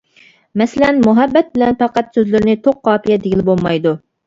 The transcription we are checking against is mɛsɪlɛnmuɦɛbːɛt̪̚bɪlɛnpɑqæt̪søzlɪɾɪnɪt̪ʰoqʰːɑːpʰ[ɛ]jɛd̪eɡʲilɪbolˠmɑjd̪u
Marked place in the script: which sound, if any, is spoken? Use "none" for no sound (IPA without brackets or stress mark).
i